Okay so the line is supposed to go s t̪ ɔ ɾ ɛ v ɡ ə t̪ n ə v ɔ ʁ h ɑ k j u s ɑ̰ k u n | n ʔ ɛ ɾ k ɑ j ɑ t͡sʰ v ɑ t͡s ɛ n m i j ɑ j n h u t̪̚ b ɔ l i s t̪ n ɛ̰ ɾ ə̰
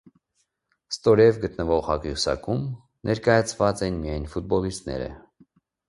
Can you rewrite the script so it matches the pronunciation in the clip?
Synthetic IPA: s t̪ ɔ ɾ ɛ v ɡ ə t̪ n ə v ɔ ʁ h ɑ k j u s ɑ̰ k u m | n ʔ ɛ ɾ k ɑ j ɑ t͡sʰ v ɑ t͡s ɛ n m i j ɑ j n f u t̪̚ b ɔ l i s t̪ n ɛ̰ ɾ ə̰